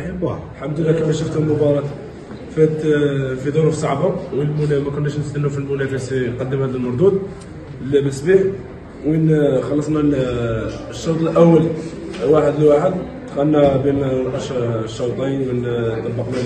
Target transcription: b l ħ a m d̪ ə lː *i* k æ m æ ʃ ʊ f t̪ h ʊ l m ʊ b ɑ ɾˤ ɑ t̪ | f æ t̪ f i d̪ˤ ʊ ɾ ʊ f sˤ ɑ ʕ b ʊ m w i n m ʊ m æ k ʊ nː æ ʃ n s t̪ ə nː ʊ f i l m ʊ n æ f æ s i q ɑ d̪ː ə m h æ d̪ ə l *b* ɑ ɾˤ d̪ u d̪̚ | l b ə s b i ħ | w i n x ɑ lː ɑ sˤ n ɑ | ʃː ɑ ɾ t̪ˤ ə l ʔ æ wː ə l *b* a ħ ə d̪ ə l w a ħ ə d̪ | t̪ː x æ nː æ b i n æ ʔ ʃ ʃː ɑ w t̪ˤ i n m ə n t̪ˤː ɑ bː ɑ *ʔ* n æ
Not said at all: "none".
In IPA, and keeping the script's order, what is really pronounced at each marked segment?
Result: æ, m, w, q

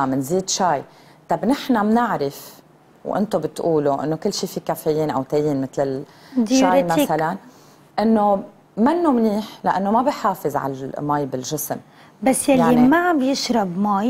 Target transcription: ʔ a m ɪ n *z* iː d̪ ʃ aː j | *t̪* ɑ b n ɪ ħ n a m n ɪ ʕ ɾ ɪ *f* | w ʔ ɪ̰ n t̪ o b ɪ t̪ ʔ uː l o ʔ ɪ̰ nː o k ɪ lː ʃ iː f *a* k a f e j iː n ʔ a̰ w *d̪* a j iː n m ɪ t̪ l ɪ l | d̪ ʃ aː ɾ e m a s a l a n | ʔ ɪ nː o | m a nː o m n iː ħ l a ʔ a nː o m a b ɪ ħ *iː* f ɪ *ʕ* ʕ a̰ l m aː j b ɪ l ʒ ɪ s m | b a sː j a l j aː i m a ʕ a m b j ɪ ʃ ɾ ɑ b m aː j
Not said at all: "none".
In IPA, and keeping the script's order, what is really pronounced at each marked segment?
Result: z, t̪, f, i, t̪, aː, z

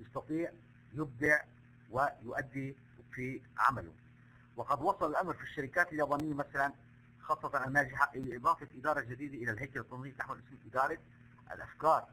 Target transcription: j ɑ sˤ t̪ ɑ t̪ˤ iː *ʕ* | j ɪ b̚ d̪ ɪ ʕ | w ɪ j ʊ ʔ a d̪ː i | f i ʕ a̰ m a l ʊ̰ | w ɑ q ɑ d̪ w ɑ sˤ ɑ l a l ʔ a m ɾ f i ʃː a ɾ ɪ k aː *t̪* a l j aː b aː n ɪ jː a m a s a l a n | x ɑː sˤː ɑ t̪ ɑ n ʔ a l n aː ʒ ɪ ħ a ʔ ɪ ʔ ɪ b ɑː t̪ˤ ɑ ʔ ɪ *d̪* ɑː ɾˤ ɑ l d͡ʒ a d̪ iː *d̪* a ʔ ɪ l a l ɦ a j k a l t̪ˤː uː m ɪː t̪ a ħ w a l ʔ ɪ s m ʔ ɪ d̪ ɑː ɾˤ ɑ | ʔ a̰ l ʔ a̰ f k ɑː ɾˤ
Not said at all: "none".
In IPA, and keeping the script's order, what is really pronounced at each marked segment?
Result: ʕ, t̪, d̪, d̪

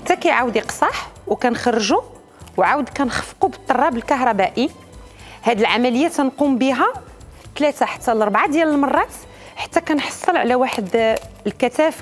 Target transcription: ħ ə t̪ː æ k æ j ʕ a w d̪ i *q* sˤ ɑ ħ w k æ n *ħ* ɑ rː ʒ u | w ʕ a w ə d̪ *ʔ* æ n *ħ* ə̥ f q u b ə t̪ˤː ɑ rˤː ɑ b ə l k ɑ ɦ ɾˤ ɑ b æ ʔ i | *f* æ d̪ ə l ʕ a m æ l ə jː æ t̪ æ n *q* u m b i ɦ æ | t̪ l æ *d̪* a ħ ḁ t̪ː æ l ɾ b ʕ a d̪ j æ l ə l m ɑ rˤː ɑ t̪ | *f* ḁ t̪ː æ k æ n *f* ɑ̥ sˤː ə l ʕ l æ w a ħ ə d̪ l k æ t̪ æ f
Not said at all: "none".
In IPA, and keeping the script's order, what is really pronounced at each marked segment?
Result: q, x, k, x, h, q, t̪, ħ, ħ

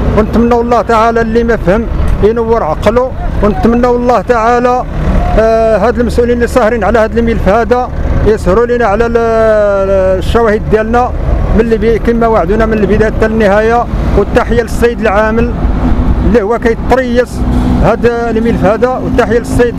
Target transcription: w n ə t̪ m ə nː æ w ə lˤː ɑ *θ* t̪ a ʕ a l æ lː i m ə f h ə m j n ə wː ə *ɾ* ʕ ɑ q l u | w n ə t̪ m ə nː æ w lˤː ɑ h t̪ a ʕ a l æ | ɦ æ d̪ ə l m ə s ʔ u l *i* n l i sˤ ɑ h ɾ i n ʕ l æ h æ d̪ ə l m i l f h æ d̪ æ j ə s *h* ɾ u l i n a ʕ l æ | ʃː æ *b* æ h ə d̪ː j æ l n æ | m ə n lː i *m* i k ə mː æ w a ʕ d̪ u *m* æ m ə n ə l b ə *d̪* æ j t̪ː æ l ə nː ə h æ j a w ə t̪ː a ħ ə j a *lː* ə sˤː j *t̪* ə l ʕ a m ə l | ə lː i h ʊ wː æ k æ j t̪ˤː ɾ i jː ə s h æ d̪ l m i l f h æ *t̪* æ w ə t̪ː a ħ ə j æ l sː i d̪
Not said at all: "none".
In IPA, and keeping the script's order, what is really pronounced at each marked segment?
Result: h, ɾ, i, h, w, b, n, d̪, l, d̪, d̪

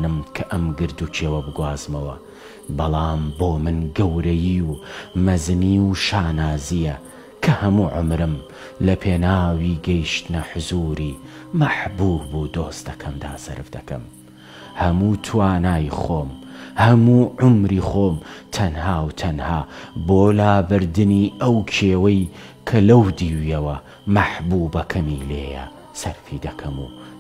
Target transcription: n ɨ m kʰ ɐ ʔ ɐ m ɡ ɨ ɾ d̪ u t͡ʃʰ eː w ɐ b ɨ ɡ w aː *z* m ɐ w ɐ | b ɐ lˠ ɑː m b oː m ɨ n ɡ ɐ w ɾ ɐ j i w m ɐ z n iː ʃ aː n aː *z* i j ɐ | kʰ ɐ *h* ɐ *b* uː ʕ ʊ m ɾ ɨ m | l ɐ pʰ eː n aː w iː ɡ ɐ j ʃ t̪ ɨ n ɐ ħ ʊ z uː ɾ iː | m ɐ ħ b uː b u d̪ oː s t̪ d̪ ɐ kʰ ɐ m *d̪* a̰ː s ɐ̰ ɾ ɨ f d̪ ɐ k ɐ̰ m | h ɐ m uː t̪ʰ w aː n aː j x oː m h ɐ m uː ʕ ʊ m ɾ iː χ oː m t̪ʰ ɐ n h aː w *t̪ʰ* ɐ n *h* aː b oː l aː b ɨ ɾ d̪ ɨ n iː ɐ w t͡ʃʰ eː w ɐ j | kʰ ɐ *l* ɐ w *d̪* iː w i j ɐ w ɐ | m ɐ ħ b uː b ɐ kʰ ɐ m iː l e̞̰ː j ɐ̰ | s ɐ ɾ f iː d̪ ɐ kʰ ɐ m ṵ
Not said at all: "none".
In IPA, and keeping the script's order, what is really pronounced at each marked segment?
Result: z, z, h, m, d̪, t̪ʰ, h, l, d̪

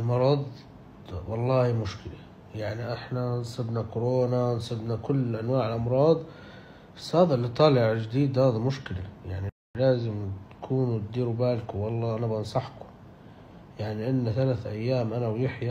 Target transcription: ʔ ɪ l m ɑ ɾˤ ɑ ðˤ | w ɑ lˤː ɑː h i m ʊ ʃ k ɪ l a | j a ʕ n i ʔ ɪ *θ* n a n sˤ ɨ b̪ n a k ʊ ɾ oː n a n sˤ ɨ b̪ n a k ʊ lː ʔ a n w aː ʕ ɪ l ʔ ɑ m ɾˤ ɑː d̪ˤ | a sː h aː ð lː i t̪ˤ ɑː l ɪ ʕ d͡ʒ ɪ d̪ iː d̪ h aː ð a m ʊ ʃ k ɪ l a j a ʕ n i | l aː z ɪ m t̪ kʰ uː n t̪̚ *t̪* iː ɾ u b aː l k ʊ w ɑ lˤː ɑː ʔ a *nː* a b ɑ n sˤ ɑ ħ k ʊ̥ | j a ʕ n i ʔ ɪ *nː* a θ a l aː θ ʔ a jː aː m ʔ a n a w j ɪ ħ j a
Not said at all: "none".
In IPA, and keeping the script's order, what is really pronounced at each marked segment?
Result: ħ, d̪, n, nː

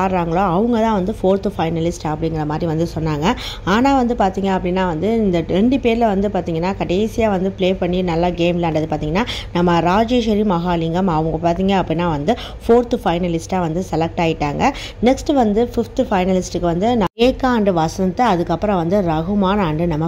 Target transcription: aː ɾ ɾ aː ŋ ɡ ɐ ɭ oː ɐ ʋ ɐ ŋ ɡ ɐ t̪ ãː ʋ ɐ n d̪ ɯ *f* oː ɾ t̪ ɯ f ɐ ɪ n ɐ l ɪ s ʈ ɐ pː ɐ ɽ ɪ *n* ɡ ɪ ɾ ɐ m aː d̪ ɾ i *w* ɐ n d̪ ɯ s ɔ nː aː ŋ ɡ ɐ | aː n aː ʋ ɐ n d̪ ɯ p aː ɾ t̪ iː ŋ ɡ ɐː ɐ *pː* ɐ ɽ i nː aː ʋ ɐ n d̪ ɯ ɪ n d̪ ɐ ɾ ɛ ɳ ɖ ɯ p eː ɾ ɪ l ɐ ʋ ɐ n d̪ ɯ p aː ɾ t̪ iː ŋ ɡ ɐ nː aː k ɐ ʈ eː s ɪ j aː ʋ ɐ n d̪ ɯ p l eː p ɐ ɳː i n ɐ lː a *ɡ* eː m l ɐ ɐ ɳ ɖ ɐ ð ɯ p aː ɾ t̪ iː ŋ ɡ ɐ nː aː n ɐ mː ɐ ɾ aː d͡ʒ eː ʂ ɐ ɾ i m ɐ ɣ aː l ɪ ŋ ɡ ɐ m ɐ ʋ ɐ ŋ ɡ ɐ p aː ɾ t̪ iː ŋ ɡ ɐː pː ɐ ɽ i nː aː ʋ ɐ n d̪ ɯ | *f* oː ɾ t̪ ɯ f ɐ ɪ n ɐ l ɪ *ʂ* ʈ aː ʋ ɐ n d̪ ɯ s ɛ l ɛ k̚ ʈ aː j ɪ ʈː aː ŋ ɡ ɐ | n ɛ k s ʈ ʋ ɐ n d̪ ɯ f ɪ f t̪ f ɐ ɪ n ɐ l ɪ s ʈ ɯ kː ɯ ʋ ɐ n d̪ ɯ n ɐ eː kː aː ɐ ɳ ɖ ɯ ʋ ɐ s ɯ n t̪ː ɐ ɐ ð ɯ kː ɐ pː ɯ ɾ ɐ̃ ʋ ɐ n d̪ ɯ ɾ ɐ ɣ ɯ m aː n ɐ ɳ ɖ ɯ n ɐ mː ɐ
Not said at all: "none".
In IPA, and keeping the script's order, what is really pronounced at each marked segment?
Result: f, ŋ, ʋ, pː, ɡ, f, s

